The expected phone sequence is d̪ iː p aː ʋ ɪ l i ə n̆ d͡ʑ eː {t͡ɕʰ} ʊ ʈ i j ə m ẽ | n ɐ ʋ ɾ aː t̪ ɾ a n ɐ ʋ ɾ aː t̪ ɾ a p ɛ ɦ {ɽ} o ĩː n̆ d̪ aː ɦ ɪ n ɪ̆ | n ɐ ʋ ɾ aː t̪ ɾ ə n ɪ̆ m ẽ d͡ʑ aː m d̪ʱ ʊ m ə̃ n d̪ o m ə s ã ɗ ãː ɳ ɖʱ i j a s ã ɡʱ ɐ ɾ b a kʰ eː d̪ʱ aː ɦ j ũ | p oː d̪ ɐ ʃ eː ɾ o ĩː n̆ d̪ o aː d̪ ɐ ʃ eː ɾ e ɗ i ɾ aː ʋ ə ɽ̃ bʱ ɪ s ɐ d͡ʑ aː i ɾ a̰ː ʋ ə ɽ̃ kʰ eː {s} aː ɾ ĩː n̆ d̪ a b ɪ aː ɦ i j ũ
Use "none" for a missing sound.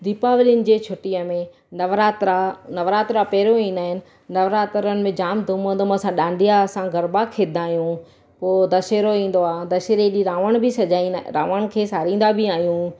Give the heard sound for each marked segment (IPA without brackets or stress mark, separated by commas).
t͡ɕʰ, ɾ, s